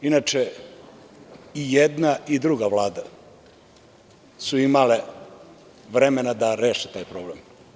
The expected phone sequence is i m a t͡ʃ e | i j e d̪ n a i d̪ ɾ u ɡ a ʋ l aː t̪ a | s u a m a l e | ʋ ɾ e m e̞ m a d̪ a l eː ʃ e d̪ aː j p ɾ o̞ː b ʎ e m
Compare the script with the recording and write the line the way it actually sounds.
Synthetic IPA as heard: i n a t͡ʃ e | i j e d̪ n a i d̪ ɾ u ɡ a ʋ l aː d̪ a | s u i m a l e | ʋ ɾ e m e̞ n a d̪ a ɾ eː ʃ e t̪ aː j p ɾ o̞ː b l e m

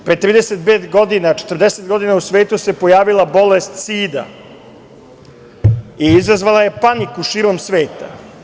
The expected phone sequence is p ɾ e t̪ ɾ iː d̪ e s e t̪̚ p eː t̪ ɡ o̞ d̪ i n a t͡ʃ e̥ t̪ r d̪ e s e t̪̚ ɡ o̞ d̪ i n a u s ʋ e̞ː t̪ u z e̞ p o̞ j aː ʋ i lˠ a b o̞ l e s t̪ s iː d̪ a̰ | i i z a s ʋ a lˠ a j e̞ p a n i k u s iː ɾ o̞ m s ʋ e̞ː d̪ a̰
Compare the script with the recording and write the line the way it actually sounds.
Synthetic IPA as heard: p ɾ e t̪ ɾ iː d̪ e s e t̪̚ p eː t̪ ɡ o̞ d̪ i n a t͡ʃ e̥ t̪ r d̪ e s e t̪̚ ɡ o̞ d̪ i n a u s ʋ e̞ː t̪ u s e̞ p o̞ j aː ʋ i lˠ a b o̞ l e s t̪ s iː d̪ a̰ | i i z a z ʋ a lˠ a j e̞ p a n i k u ʃ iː ɾ o̞ m s ʋ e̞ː t̪ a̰

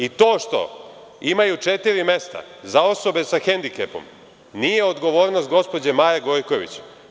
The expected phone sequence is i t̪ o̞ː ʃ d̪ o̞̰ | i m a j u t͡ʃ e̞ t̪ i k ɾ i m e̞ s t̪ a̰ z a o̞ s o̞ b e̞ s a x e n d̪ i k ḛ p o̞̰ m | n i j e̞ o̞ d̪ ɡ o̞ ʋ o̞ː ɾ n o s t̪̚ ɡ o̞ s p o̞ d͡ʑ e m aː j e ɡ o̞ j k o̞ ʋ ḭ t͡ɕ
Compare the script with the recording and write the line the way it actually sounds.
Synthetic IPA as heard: i t̪ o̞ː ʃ t̪ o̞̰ | i m a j u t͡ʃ e̞ t̪ i ɾ i m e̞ s t̪ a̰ z a o̞ s o̞ b e̞ s a x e n d̪ i k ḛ p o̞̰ m | n i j e̞ o̞ d̪ ɡ o̞ ʋ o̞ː ɾ n o s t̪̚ ɡ o̞ s p o̞ d͡ʑ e m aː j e ɡ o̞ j k o̞ ʋ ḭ t͡ɕ

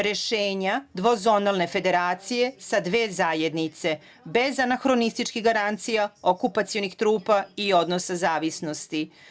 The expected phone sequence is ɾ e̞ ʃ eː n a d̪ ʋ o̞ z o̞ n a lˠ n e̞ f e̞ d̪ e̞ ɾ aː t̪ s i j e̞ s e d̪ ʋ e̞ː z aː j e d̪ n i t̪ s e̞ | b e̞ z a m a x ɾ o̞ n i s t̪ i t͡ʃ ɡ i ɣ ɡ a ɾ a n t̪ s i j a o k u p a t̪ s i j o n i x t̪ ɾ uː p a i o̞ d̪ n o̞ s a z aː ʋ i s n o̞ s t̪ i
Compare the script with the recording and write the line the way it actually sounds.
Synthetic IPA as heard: ɾ e̞ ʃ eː ɲ a d̪ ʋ o̞ z o̞ n a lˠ n e̞ f e̞ d̪ e̞ ɾ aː t̪ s i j e̞ s a d̪ ʋ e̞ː z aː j e d̪ n i t̪ s e̞ | b e̞ z a n a x ɾ o̞ n i s t̪ i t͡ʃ k i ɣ ɡ a ɾ a n t̪ s i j a o k u p a t̪ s i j o n i x t̪ ɾ uː p a i o̞ d̪ n o̞ s a z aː ʋ i s n o̞ s t̪ i

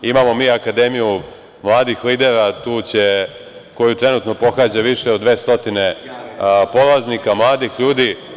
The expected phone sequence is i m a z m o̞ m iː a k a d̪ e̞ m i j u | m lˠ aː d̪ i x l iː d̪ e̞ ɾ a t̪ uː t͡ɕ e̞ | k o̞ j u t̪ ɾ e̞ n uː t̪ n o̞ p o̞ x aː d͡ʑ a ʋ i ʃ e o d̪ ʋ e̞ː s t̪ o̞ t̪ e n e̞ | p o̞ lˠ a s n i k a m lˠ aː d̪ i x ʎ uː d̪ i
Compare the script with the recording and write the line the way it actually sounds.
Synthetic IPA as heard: i m a m o̞ m iː a k a d̪ e̞ m i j u | m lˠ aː d̪ i x l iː d̪ e̞ ɾ a t̪ uː t͡ɕ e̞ | k o̞ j u t̪ ɾ e̞ n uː t̪ n o̞ p o̞ x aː d͡ʑ a ʋ i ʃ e o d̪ ʋ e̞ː s t̪ o̞ t̪ i n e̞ | p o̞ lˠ a z n i k a m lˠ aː d̪ i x ʎ uː d̪ i

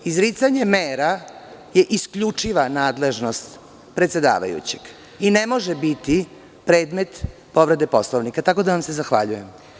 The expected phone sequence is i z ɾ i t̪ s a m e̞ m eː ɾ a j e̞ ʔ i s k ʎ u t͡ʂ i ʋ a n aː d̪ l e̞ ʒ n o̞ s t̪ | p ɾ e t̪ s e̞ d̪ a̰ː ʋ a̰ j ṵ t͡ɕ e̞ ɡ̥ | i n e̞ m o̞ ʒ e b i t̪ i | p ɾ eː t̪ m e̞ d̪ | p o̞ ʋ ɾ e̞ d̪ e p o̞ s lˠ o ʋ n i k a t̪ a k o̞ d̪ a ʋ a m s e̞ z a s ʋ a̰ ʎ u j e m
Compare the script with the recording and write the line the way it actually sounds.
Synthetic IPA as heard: i z ɾ i t̪ s a ɲ e̞ m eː ɾ a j e̞ ʔ i s k ʎ u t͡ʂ i ʋ a n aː d̪ l e̞ ʒ n o̞ s t̪ | p ɾ e t̪ s e̞ d̪ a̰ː ʋ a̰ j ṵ t͡ɕ e̞ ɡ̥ | i n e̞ m o̞ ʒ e b i t̪ i | p ɾ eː d̪ m e̞ t̪ | p o̞ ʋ ɾ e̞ d̪ e p o̞ s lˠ o ʋ n i k a t̪ a k o̞ d̪ a ʋ a m s e̞ z a x ʋ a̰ ʎ u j e m

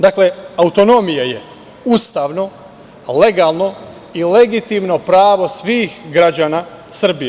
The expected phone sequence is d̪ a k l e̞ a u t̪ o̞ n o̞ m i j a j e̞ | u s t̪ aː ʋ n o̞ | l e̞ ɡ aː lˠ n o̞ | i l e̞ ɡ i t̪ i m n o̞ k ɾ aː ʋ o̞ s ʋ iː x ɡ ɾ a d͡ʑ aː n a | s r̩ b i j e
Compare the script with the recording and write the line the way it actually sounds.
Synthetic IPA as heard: d̪ a k l e̞ a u t̪ o̞ n o̞ m i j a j e̞ | u s t̪ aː ʋ n o̞ | l e̞ ɡ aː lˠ n o̞ | i l e̞ ɡ i t̪ i m n o̞ p ɾ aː ʋ o̞ s ʋ iː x ɡ ɾ a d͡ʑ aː n a | s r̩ b i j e

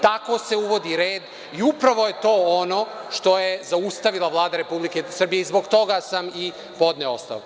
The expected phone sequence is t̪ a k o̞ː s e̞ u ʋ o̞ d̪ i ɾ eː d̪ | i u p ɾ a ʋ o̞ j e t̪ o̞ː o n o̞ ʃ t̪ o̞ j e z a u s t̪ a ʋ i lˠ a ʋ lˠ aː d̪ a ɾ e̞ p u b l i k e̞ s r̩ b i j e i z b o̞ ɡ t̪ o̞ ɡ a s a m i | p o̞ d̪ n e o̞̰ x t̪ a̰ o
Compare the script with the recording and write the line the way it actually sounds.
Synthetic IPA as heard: t̪ a k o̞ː s e̞ u ʋ o̞ d̪ i ɾ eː d̪ | i u p ɾ a ʋ o̞ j e t̪ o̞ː o n o̞ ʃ t̪ o̞ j e z a u s t̪ a ʋ i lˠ a ʋ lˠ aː d̪ a ɾ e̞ p u b l i k e̞ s r̩ b i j e i z b o̞ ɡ t̪ o̞ ɡ a s a m i | p o̞ d̪ n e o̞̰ s t̪ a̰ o

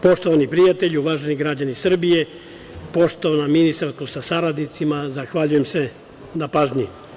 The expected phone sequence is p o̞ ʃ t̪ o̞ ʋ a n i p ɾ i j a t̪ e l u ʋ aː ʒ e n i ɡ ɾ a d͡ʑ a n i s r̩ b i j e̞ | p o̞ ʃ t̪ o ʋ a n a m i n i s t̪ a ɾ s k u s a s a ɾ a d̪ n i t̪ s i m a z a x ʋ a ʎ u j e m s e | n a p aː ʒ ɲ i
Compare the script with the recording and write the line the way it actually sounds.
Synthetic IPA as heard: p o̞ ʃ t̪ o̞ ʋ a n i p ɾ i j a t̪ e ʎ u ʋ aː ʒ e n i ɡ ɾ a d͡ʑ a n i s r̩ b i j e̞ | p o̞ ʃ t̪ o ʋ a n a m i n i s t̪ a ɾ s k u s a s a ɾ a d̪ n i t̪ s i m a z a x ʋ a ʎ u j e m s e | n a p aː ʒ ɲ i

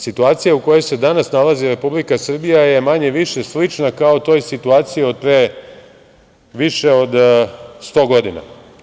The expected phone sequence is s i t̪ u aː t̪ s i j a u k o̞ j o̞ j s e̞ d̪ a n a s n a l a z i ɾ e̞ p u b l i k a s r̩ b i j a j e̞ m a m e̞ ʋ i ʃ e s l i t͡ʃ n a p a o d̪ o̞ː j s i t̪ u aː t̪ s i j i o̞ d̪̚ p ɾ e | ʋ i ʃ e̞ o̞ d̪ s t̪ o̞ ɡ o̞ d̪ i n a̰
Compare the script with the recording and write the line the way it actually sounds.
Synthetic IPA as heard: s i t̪ u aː t̪ s i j a u k o̞ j o̞ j s e̞ d̪ a n a s n a l a z i ɾ e̞ p u b l i k a s r̩ b i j a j e̞ m a ɲ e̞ ʋ i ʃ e s l i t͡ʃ n a k a o t̪ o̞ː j s i t̪ u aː t̪ s i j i o̞ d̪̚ p ɾ e | ʋ i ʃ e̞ o̞ d̪ s t̪ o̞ ɡ o̞ d̪ i n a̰

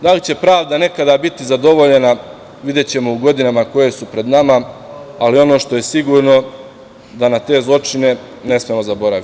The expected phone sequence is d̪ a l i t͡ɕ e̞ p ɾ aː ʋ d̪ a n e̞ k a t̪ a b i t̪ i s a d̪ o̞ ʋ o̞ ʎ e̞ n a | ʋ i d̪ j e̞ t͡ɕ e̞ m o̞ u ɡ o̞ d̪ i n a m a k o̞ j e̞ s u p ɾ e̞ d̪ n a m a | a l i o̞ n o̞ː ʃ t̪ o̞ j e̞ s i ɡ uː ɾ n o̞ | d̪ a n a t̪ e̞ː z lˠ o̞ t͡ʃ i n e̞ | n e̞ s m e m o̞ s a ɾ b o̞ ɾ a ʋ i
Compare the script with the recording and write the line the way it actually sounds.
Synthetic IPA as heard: d̪ a l i t͡ɕ e̞ p ɾ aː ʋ d̪ a n e̞ k a d̪ a b i t̪ i z a d̪ o̞ ʋ o̞ ʎ e̞ n a | ʋ i d̪ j e̞ t͡ɕ e̞ m o̞ u ɡ o̞ d̪ i n a m a k o̞ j e̞ s u p ɾ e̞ d̪ n a m a | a l i o̞ n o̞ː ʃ t̪ o̞ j e̞ s i ɡ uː ɾ n o̞ | d̪ a n a t̪ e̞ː z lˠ o̞ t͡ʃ i n e̞ | n e̞ s m e m o̞ z a b o̞ ɾ a ʋ i

